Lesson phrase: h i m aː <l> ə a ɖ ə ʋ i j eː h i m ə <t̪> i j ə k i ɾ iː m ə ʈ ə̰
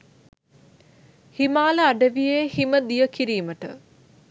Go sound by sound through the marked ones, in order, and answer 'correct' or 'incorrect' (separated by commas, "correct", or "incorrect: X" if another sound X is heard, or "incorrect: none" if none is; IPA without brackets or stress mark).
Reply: correct, incorrect: d̪